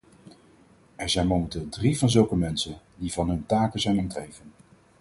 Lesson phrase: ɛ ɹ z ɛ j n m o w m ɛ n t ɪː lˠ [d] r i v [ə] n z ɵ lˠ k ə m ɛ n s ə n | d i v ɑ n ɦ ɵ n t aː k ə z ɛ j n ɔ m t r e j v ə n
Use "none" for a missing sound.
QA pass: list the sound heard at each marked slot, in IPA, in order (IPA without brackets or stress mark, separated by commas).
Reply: d, ɑ